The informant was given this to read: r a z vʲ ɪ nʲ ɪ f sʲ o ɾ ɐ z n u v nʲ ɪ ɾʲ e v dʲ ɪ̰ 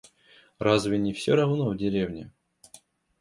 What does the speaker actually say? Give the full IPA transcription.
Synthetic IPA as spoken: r a z vʲ ɪ nʲ ɪ f sʲ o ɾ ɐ v n o v dʲ ɪ ɾʲ e v nʲ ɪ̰